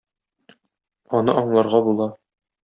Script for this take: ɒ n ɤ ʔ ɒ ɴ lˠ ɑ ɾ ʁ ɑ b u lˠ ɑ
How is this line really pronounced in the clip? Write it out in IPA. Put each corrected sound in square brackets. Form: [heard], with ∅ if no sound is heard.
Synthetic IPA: ɒ n ɤ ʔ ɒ ɴ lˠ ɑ ɾ ʁ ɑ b u lˠ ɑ